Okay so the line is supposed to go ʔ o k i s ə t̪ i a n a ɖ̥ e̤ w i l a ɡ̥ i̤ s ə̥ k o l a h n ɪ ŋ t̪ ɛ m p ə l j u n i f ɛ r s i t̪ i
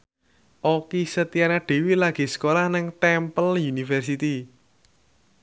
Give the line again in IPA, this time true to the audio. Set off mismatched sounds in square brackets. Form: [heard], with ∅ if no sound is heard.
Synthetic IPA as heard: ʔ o k i s ə t̪ i a n a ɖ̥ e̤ w i l a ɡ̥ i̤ s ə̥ k o l a h n ɪ ŋ t̪ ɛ m p ə l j u n i f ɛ r s i t̪ i